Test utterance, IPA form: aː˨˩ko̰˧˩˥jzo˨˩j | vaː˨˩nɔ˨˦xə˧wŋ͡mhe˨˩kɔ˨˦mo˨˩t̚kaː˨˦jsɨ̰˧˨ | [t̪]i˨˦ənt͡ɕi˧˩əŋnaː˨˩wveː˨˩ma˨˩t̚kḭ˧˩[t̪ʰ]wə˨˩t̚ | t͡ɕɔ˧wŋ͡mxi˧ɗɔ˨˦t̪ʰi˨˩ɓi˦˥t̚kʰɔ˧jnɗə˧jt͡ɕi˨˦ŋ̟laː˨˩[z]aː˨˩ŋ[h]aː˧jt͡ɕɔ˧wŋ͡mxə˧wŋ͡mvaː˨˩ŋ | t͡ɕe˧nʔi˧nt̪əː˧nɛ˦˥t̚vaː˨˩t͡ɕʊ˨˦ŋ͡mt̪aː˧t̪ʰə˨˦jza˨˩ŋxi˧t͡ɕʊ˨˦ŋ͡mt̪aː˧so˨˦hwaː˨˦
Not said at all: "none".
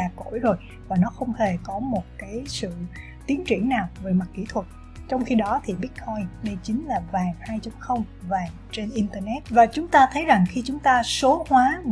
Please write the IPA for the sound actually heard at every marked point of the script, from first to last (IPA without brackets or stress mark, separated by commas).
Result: t̪, t̪ʰ, v, h